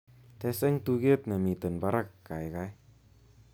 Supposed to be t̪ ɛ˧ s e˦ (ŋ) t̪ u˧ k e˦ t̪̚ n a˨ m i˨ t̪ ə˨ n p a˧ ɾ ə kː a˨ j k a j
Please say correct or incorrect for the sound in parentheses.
correct